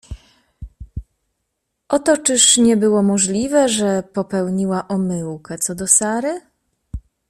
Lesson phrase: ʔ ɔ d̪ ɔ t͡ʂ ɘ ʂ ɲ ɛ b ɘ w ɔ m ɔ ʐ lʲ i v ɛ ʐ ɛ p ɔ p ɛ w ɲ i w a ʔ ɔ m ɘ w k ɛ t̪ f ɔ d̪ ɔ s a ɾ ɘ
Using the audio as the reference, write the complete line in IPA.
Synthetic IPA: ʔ ɔ t̪ ɔ t͡ʂ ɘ ʂ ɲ ɛ b ɘ w ɔ m ɔ ʐ lʲ i v ɛ ʐ ɛ p ɔ p ɛ w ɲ i w a ʔ ɔ m ɘ w k ɛ t̪ s ɔ d̪ ɔ s a ɾ ɘ